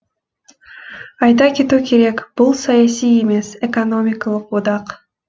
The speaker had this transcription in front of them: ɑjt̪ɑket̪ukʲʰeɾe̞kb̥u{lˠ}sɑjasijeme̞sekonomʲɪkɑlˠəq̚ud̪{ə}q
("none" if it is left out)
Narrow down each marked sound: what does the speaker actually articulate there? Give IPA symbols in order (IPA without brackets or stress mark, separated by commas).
lˠ, ɑ